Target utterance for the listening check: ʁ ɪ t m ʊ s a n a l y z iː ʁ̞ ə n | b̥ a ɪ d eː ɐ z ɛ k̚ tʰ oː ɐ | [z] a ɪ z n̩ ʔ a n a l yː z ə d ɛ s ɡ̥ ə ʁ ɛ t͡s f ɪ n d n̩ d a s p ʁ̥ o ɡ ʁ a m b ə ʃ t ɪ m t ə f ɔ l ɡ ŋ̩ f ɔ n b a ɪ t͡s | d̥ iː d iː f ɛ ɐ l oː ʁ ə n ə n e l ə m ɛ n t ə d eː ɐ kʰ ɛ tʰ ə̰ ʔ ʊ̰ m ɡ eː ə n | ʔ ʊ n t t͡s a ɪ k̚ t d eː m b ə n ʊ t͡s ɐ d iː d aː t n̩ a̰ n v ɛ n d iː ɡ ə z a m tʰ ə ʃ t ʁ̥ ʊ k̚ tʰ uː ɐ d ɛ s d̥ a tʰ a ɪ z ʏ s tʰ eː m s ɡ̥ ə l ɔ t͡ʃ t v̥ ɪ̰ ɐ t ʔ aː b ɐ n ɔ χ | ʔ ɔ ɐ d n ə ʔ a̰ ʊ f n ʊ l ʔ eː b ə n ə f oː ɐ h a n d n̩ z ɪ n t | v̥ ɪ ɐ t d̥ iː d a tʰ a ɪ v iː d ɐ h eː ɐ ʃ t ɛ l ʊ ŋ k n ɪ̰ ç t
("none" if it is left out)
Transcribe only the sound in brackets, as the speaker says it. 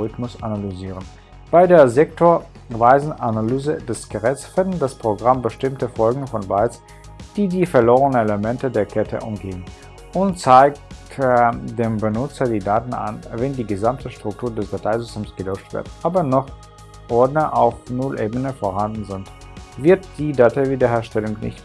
v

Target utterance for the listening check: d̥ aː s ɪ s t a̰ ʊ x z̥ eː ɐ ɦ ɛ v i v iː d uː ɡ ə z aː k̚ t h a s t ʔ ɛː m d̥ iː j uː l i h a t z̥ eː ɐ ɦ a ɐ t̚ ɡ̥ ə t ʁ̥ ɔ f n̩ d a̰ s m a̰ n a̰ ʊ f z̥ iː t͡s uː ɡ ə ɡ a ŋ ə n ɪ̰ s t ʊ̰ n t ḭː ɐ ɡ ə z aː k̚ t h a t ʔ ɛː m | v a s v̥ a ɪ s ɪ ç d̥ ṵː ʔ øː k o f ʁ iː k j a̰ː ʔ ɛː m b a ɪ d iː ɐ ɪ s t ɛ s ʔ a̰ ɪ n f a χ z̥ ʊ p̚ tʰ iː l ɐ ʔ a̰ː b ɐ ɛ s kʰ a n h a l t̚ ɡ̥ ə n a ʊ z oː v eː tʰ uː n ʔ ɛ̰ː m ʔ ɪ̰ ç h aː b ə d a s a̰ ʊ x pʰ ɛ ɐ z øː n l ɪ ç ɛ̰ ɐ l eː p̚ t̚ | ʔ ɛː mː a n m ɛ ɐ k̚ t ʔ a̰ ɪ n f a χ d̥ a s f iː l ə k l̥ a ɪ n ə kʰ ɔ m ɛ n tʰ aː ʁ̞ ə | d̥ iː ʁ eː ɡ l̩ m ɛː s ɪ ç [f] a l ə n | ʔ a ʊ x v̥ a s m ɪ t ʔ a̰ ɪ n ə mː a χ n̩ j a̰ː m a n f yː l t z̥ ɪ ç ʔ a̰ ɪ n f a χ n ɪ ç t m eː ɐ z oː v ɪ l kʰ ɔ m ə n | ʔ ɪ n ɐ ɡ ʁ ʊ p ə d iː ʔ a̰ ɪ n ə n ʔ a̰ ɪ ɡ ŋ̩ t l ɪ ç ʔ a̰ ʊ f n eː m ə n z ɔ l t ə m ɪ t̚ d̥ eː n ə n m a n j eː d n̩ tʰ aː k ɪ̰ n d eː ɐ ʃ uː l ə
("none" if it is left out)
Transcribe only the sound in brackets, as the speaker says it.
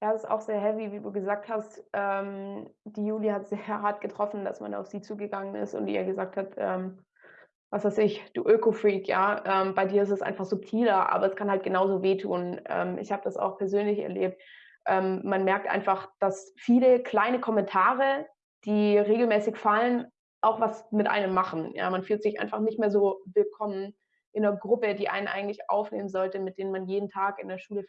f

